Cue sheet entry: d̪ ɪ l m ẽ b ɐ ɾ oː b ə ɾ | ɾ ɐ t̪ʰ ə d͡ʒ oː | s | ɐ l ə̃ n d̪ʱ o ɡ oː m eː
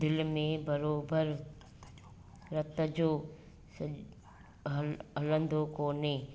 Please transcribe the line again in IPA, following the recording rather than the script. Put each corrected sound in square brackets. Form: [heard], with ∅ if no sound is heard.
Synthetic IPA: d̪ ɪ l m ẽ b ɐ ɾ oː b ə ɾ | ɾ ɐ [t̪] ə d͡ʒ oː | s | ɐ l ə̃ n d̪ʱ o [k] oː [n] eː